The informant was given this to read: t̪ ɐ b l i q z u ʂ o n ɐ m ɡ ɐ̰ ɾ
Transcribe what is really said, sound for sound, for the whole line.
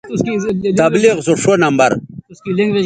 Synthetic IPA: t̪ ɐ b l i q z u ʂ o n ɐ m b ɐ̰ ɾ